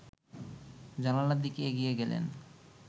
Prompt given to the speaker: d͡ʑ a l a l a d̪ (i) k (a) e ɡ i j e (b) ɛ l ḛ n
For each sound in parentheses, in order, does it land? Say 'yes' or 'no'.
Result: yes, no, no

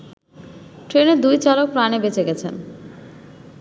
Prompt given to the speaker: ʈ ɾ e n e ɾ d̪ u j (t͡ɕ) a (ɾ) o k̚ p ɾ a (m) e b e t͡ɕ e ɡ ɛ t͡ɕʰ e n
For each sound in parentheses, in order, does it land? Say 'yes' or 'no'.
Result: yes, no, no

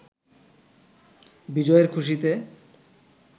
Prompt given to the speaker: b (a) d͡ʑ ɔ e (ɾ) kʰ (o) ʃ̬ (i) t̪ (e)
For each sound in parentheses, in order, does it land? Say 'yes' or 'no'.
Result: no, yes, no, yes, yes

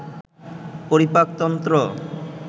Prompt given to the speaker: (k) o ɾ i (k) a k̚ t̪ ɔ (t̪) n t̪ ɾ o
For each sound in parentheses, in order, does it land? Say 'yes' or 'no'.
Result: no, no, no

